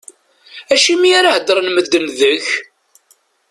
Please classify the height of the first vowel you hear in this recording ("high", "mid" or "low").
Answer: low